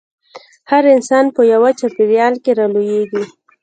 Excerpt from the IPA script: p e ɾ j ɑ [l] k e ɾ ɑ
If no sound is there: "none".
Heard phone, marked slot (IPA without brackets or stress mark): l